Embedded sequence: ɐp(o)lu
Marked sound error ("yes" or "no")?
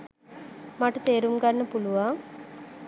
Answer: yes